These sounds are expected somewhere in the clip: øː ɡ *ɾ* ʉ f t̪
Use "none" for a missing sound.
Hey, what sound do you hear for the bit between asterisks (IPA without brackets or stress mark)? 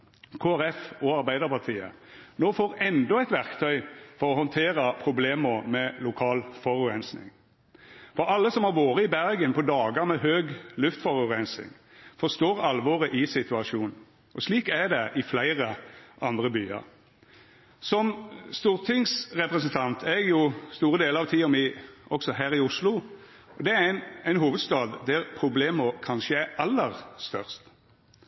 l